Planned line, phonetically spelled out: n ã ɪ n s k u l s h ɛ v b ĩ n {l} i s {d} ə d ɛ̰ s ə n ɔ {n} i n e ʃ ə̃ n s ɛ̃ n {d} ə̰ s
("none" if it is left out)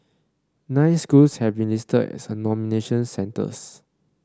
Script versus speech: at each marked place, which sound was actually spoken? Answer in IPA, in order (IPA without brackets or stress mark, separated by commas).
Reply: l, t, m, t